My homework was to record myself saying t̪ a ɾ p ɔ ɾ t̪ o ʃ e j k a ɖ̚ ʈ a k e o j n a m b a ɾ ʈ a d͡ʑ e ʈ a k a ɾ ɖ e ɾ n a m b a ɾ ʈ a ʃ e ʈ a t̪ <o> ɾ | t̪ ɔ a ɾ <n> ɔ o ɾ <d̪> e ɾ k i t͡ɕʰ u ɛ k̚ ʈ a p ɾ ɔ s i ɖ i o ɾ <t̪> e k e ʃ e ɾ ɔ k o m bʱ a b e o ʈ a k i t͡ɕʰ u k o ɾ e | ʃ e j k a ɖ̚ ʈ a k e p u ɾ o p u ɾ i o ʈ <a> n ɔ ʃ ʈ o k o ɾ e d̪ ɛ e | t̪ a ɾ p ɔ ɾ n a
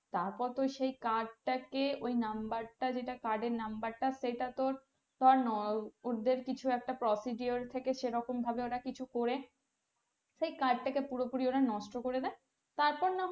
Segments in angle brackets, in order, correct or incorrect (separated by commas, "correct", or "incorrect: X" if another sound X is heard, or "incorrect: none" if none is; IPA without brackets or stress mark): correct, correct, correct, incorrect: t̪ʰ, correct